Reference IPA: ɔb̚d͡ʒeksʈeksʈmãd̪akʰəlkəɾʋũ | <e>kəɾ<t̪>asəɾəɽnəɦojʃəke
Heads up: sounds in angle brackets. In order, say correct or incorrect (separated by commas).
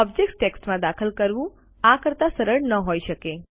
incorrect, correct